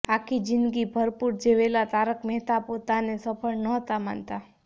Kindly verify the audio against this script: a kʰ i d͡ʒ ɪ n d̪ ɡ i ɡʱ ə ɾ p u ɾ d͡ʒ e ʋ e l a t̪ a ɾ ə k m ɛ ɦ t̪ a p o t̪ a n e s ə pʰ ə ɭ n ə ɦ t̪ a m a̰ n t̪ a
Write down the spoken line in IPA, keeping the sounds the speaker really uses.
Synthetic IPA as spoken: a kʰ i d͡ʒ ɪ n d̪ ɡ i bʱ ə ɾ p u ɾ d͡ʒ e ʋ e l a t̪ a ɾ ə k m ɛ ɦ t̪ a p o t̪ a n e s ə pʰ ə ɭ n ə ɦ t̪ a m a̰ n t̪ a